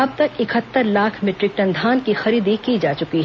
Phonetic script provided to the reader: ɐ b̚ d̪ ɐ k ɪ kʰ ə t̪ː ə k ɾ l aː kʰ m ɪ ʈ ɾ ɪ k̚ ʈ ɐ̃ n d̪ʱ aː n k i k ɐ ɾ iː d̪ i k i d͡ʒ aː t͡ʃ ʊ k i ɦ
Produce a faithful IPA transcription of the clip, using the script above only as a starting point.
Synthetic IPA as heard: ɐ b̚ t̪ ɐ k ɪ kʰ ə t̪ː ə ɾ l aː kʰ m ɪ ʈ ɾ ɪ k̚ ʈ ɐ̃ n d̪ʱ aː n k i x ɐ ɾ iː d̪ i k i d͡ʒ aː t͡ʃ ʊ k i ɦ